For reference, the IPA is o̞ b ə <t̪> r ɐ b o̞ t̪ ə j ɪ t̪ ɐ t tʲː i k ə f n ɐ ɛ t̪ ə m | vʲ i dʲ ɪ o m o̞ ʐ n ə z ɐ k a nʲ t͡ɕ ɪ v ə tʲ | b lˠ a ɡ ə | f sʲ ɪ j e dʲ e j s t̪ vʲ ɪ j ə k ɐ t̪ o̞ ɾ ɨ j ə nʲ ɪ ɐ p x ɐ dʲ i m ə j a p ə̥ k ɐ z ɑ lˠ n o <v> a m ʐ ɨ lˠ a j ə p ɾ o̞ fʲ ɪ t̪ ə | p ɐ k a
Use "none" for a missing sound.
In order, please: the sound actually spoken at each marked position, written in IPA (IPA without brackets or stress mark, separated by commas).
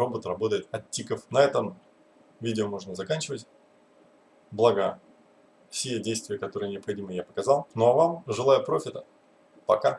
t̪, v